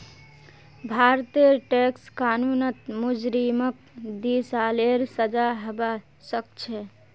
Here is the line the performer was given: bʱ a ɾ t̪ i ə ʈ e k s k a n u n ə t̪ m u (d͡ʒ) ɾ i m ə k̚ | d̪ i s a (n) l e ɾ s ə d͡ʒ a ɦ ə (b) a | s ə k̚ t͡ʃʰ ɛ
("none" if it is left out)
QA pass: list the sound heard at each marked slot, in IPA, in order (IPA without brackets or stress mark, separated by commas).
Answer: d͡ʒ, none, b